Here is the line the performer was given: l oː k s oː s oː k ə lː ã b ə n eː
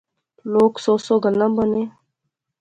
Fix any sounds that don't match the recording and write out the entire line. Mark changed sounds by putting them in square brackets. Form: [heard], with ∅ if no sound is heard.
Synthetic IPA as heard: l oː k s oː s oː [ɡ] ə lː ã b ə n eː